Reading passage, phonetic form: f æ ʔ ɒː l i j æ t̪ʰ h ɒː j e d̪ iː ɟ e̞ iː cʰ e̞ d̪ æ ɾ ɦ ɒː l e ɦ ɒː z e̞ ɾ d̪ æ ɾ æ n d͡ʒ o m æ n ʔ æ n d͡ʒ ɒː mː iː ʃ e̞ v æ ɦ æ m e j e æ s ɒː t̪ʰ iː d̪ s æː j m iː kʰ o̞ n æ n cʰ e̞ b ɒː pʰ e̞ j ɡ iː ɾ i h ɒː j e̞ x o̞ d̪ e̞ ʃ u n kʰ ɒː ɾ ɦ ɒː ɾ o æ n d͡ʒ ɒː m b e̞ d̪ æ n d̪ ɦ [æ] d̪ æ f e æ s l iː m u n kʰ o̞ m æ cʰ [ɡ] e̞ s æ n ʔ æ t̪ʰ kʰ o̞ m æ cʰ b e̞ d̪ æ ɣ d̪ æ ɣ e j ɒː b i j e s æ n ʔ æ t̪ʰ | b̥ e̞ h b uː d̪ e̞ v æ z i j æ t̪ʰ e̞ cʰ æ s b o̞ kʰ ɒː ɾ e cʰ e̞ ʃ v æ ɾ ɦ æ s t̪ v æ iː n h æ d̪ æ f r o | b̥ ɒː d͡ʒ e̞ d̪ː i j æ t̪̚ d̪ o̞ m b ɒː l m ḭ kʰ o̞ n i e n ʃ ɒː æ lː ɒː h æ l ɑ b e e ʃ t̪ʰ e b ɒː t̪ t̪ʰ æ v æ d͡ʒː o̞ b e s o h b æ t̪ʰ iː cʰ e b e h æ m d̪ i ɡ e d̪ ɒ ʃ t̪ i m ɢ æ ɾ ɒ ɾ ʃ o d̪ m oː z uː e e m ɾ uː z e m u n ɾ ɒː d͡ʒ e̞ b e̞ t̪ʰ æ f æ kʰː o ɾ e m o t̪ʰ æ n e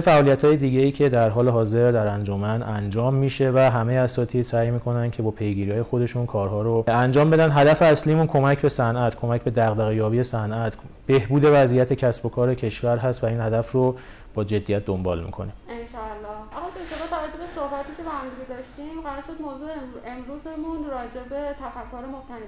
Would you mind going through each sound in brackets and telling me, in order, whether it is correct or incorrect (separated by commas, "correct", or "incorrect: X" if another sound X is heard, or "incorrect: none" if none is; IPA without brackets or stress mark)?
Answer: correct, incorrect: b